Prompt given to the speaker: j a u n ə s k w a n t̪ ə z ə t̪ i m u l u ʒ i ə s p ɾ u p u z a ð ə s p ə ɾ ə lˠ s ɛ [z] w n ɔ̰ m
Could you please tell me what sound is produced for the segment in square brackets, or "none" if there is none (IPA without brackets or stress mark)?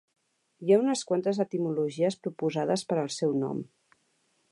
none